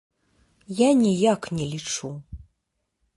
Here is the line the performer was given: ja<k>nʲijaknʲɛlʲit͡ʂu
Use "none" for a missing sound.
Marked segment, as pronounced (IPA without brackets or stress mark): none